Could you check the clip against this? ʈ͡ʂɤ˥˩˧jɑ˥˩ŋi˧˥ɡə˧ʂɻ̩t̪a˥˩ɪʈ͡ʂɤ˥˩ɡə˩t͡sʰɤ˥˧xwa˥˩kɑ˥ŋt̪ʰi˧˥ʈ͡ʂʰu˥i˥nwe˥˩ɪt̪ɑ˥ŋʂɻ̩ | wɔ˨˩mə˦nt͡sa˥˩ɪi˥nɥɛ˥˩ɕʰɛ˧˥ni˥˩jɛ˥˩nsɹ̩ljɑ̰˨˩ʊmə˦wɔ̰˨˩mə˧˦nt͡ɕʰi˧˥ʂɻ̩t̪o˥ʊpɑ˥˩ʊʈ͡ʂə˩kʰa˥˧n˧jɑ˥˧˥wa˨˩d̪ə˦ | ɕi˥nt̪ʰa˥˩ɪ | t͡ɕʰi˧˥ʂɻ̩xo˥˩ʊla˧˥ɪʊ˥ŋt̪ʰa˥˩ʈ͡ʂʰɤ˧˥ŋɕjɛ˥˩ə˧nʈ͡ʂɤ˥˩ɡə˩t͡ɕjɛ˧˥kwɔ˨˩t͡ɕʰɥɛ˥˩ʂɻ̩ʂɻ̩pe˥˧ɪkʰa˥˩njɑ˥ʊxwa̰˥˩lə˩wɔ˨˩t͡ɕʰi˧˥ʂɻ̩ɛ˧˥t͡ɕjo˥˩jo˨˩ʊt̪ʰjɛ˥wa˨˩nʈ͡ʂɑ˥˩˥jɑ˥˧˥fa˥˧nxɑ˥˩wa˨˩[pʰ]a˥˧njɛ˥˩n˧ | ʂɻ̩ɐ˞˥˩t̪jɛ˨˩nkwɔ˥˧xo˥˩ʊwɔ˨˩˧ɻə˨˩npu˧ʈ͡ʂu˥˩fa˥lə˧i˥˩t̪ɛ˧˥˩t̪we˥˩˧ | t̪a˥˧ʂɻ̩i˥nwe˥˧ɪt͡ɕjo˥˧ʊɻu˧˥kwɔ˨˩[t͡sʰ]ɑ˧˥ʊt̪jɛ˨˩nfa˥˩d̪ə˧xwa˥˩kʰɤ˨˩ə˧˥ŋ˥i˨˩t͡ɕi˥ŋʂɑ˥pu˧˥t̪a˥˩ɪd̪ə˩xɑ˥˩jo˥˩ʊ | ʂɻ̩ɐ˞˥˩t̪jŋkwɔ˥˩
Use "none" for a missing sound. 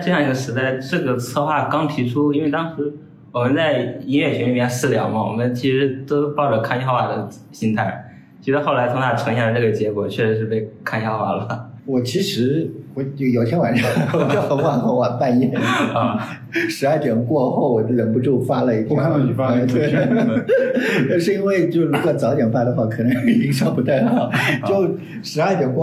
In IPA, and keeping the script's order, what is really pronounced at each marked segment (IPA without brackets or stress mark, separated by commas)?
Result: p, t͡s